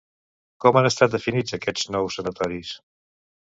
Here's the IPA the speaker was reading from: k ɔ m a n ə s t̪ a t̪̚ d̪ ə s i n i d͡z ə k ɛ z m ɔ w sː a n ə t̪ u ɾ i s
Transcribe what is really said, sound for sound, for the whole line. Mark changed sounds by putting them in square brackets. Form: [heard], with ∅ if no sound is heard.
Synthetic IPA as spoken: k ɔ m a n ə s t̪ a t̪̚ d̪ ə [f] i n i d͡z ə k ɛ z [n] ɔ w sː [ə] n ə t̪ [ɔ] ɾ i s